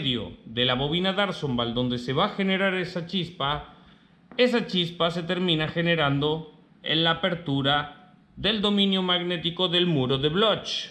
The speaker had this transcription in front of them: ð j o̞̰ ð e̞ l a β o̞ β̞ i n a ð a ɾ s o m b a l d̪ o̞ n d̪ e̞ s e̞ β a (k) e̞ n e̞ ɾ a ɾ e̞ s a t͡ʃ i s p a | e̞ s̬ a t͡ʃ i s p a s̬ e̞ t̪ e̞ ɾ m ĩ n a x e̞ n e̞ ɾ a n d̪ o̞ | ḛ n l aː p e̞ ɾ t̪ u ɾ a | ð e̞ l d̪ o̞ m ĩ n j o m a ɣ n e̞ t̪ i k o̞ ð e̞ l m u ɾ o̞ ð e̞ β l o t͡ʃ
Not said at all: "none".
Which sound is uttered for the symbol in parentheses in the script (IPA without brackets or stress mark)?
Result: x